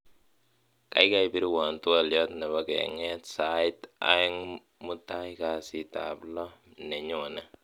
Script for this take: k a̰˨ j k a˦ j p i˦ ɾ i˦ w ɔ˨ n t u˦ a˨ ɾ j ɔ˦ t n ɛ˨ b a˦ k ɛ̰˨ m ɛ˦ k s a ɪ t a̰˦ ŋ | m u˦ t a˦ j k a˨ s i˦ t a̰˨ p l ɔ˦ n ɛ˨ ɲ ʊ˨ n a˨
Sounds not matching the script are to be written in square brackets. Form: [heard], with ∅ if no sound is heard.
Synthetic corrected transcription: k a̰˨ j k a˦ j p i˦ ɾ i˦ w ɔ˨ n t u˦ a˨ [l] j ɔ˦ t n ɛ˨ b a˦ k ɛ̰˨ [ŋ] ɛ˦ [t] s a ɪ t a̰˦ ŋ | m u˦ t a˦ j k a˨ s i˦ t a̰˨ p l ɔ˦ n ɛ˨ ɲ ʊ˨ n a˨